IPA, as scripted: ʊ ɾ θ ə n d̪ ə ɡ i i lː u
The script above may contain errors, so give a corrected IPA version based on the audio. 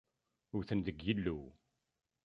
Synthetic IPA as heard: ʊ ɾ θ ə n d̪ ə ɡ j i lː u

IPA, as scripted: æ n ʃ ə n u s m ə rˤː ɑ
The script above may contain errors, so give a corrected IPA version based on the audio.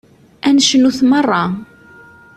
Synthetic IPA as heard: æ n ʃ ə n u θ m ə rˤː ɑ

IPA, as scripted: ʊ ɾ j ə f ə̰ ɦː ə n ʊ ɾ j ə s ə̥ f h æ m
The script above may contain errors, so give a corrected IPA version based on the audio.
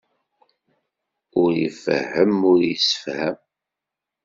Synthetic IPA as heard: ʊ ɾ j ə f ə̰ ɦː ə m ʊ ɾ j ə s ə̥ f h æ m

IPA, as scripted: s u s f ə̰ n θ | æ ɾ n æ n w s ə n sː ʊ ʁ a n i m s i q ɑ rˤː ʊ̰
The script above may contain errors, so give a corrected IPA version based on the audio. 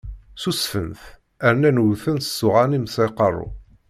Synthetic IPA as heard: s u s f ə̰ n θ | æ ɾ n æ n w θ ə n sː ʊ ʁ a n i m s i q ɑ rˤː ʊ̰

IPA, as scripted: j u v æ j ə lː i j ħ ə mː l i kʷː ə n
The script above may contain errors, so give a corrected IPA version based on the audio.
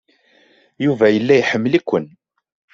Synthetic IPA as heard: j u v æ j ə lː æ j ħ ə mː l i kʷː ə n

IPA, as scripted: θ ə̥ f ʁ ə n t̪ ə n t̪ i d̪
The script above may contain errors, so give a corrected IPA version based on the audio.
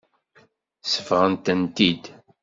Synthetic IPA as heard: s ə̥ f ʁ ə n t̪ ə n t̪ i d̪

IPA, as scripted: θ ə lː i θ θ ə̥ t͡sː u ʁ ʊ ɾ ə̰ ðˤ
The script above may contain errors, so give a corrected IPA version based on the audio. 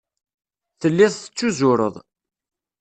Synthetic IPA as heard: θ ə lː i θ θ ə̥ t͡sː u z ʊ ɾ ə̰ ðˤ

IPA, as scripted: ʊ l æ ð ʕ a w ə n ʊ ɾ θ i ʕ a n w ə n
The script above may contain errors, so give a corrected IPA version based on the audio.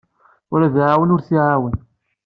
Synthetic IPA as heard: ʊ ɾ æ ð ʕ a w ə n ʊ ɾ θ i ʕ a w ə n

